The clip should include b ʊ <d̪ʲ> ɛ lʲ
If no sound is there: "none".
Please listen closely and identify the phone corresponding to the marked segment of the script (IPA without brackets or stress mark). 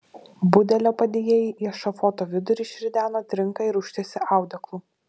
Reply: d̪ʲ